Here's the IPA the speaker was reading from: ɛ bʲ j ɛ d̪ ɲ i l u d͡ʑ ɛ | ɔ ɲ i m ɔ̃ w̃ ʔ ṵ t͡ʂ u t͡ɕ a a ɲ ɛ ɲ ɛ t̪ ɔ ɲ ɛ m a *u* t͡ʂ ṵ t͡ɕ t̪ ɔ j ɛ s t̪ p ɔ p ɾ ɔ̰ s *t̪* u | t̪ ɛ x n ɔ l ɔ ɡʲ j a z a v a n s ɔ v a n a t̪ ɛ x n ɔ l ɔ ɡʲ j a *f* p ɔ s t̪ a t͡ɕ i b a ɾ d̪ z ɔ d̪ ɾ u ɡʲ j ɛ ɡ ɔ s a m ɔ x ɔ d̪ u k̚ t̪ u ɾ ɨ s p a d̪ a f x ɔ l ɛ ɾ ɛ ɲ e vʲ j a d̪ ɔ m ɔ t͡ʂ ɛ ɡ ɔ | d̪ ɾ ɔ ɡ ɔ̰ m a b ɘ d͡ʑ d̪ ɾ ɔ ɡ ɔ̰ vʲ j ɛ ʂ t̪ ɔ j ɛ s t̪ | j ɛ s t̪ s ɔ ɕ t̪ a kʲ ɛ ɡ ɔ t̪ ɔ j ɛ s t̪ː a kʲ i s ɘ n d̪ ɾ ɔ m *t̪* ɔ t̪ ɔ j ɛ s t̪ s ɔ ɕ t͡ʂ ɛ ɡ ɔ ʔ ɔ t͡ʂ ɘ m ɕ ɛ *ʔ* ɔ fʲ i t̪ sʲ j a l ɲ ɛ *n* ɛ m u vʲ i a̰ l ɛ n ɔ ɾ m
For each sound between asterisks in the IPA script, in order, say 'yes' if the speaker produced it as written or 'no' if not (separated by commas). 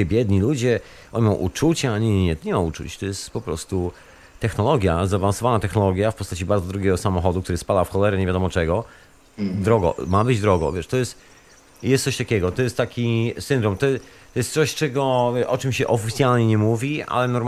yes, yes, yes, yes, yes, no